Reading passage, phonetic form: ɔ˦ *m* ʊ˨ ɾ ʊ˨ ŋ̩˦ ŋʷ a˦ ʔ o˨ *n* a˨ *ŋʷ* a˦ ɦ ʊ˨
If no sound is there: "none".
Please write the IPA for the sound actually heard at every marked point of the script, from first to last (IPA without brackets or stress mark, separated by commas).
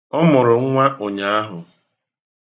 m, ɲ, none